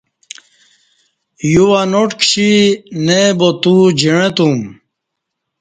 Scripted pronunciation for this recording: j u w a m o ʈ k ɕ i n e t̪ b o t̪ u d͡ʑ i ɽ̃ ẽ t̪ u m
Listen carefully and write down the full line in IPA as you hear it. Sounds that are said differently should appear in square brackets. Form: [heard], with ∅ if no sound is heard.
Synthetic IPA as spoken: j u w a [n] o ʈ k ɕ i n e [∅] b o t̪ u d͡ʑ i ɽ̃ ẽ t̪ u m